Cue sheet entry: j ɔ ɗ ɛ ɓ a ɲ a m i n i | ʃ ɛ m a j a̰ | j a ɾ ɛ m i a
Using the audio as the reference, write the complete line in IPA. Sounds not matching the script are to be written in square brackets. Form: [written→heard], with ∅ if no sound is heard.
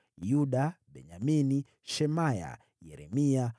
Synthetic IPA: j [ɔ→u] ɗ [ɛ→a] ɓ [a→ɛ] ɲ a m i n i | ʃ ɛ m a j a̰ | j [a→ɛ] ɾ ɛ m i a